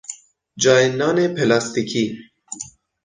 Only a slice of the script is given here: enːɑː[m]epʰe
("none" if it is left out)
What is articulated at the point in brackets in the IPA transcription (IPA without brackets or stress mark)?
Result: n